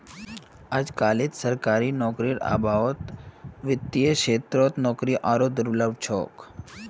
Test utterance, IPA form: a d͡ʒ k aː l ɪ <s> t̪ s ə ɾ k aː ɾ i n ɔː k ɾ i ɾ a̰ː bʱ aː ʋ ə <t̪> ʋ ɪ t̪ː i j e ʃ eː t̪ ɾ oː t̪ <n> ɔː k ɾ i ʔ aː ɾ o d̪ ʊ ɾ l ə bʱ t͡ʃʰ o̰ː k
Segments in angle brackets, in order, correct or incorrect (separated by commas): incorrect, correct, correct